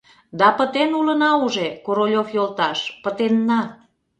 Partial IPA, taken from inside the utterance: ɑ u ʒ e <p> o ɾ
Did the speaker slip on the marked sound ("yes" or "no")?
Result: yes